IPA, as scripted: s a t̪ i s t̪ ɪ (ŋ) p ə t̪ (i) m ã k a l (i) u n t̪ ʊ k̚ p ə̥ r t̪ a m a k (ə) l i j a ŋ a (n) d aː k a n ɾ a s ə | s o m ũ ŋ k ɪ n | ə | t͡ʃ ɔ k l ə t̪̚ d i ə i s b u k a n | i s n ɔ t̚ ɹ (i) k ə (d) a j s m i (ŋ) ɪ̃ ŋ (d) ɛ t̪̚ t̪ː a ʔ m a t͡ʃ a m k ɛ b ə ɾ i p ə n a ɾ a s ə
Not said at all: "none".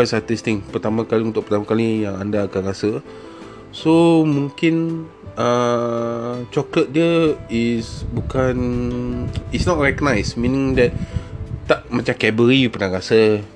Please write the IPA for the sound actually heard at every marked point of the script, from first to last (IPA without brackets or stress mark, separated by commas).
ŋ, a, i, a, n, ɛ, n, n, d